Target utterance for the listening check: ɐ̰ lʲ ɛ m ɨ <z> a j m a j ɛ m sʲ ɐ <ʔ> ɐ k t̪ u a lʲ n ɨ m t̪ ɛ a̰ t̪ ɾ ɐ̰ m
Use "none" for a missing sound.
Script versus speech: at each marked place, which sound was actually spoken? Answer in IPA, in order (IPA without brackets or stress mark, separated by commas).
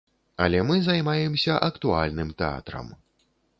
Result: z, ʔ